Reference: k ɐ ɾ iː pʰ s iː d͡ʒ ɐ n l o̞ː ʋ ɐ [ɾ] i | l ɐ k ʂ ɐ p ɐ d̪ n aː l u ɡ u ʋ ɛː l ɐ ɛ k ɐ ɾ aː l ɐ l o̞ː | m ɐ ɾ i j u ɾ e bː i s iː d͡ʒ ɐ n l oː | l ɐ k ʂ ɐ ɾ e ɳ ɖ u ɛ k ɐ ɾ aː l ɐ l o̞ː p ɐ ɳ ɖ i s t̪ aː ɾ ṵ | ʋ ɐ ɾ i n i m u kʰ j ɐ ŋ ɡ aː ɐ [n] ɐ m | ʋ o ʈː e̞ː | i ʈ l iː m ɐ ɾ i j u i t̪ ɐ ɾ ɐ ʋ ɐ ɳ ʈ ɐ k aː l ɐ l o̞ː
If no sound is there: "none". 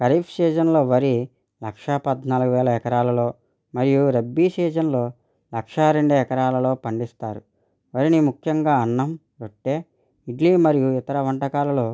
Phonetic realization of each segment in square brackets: ɾ, nː

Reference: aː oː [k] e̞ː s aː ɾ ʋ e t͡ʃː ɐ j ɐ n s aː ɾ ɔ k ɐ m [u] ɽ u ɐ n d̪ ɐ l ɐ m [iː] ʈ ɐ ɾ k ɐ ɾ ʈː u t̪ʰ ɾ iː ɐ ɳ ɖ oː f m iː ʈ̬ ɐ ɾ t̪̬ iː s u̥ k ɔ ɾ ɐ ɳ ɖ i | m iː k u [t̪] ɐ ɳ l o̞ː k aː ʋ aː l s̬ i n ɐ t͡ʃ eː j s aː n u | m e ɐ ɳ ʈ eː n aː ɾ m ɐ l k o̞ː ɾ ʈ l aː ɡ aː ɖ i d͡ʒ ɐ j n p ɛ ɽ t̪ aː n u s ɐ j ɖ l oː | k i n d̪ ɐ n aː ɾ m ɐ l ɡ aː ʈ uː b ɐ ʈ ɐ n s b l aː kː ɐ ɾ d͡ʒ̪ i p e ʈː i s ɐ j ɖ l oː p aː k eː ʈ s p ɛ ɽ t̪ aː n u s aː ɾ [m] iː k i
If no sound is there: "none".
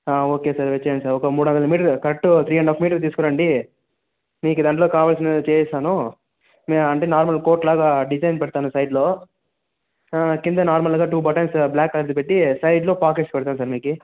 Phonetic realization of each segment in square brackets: k, uː, iː, d̪, m

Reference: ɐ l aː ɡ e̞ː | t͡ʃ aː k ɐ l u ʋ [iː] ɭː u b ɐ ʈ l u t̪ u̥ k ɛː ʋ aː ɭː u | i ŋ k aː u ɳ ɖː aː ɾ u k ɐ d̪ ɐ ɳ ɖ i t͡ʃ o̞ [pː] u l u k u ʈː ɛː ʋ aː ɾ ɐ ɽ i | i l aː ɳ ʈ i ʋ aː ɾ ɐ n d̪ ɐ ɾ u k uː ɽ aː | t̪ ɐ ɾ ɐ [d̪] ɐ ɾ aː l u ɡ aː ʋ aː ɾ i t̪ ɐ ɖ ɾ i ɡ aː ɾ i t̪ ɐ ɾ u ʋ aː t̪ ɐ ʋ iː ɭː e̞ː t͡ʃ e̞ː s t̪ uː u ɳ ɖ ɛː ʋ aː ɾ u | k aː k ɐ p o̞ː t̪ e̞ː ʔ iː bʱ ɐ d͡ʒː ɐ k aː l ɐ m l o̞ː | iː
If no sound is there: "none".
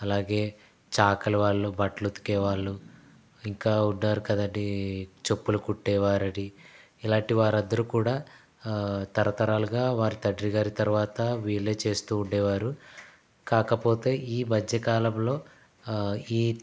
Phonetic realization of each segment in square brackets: aː, pː, t̪

